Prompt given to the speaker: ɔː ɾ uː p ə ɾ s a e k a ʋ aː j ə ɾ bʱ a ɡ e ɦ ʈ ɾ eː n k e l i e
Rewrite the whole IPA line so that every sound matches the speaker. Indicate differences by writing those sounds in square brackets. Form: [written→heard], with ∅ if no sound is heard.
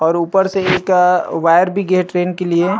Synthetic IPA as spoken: ɔː ɾ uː p ə ɾ s [a→e] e k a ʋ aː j ə ɾ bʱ [a→i] ɡ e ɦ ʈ ɾ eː n k e l i e

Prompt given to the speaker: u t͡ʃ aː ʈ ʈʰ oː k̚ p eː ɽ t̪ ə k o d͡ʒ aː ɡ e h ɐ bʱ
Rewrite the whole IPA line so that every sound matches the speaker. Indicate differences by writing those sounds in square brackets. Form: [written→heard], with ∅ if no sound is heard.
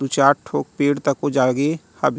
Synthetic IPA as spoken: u t͡ʃ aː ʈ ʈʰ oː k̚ p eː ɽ t̪ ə k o d͡ʒ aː ɡ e h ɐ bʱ

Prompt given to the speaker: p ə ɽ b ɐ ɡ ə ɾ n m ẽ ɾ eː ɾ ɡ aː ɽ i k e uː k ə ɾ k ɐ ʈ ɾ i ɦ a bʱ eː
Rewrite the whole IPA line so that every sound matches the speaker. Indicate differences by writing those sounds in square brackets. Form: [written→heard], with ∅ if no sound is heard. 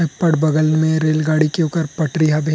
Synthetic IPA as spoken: p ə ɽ b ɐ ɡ ə [ɾ→l] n m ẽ ɾ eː [ɾ→l] ɡ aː ɽ i k e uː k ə ɾ [k→p] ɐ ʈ ɾ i ɦ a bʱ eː

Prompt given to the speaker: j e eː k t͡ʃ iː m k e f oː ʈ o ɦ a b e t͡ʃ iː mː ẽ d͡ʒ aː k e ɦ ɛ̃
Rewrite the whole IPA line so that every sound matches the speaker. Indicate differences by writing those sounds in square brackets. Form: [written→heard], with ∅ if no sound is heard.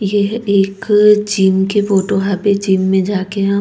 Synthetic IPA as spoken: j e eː k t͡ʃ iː m k e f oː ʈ o ɦ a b e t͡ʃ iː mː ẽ d͡ʒ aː k e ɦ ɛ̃

